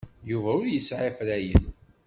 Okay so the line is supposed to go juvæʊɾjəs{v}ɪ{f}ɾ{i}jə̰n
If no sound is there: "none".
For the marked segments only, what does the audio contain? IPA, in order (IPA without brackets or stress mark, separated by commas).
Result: ʕ, f, æ